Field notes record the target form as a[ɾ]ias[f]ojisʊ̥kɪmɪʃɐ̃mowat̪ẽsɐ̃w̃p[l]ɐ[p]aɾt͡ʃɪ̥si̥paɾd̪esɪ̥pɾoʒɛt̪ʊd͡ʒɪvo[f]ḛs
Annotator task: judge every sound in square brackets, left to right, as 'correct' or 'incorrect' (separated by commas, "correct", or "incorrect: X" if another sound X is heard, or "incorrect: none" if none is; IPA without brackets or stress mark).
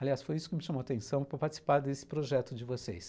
incorrect: l, correct, incorrect: ɾ, correct, incorrect: s